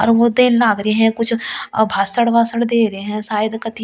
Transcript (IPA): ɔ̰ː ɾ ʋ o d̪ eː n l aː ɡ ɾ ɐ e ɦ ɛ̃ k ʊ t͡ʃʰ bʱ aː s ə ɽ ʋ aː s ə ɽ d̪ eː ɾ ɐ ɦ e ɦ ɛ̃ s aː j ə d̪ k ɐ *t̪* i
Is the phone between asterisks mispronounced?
no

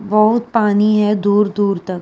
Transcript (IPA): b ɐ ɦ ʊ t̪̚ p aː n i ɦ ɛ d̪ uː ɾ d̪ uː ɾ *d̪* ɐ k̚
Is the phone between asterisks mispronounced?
yes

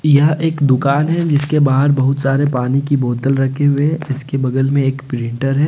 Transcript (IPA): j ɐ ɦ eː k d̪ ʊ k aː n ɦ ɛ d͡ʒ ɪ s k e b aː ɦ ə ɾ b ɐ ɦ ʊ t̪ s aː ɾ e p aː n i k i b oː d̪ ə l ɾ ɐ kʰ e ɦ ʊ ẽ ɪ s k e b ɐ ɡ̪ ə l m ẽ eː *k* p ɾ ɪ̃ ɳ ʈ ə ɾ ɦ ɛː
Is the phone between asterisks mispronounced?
no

